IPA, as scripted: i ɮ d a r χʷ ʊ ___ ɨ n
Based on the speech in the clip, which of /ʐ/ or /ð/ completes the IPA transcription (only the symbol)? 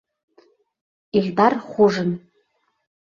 ʐ